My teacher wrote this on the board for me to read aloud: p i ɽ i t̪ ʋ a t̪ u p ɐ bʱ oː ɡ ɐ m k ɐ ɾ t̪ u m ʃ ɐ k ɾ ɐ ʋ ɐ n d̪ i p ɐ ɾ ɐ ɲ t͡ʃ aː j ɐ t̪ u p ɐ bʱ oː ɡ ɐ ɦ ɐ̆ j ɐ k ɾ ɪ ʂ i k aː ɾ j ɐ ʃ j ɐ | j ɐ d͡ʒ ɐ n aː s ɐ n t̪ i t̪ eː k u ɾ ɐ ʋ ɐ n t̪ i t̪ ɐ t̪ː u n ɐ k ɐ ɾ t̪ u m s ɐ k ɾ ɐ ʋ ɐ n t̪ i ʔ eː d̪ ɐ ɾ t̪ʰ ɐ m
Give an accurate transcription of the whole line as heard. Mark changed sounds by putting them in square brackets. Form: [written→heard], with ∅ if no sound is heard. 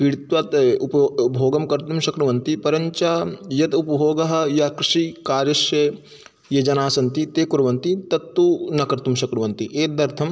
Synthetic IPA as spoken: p i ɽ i t̪ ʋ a t̪ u p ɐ bʱ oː ɡ ɐ m k ɐ ɾ t̪ u m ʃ ɐ k ɾ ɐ ʋ ɐ n [d̪→t̪] i p ɐ ɾ ɐ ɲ t͡ʃ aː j ɐ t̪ u p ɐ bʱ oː ɡ ɐ ɦ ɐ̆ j ɐ k ɾ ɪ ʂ i k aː ɾ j ɐ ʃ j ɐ | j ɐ d͡ʒ ɐ n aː s ɐ n t̪ i t̪ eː k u ɾ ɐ ʋ ɐ n t̪ i t̪ ɐ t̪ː u n ɐ k ɐ ɾ t̪ u m [s→ʃ] ɐ k ɾ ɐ ʋ ɐ n t̪ i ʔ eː d̪ ɐ ɾ t̪ʰ ɐ m